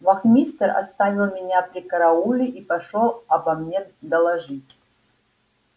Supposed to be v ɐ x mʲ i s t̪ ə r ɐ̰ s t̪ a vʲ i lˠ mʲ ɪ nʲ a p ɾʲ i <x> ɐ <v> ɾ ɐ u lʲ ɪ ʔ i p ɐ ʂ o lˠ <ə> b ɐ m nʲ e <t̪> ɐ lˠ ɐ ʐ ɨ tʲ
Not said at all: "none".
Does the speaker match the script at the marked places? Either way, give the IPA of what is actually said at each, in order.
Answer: k, none, ɐ, d̪

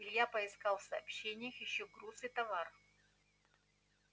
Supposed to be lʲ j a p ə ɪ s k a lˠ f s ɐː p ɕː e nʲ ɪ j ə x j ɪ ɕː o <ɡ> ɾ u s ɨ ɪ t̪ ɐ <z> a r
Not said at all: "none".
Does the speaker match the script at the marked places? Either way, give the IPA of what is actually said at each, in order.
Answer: ɡ, v

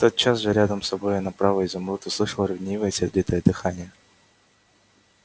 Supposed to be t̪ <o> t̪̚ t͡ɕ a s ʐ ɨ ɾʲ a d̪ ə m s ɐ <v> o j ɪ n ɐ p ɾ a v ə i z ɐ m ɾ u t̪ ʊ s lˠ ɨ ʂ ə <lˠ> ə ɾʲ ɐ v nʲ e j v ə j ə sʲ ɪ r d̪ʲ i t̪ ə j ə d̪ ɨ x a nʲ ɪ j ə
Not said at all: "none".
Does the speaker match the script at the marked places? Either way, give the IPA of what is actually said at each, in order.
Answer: o, b, lˠ

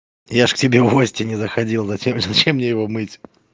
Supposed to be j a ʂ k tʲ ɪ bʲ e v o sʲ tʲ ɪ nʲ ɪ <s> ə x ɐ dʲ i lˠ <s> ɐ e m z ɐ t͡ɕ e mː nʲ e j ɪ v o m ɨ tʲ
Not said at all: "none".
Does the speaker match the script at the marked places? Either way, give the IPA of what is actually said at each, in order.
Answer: z, z

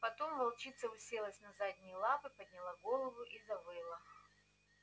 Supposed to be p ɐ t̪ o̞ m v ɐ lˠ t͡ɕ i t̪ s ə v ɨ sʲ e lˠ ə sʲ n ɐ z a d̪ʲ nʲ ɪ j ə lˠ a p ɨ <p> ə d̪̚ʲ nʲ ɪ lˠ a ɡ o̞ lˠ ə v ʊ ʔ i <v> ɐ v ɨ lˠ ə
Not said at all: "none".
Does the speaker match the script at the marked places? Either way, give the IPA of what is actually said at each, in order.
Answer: p, z

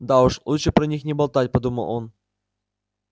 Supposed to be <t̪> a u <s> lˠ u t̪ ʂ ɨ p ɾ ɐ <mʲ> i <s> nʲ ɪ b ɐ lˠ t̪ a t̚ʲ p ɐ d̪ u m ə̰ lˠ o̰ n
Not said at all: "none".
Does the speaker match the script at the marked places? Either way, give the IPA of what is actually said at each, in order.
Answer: d̪, ʂ, nʲ, x

